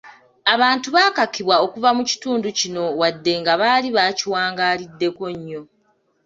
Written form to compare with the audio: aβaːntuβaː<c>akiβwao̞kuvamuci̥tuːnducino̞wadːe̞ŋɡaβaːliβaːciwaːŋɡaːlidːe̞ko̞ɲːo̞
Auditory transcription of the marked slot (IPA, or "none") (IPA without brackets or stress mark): k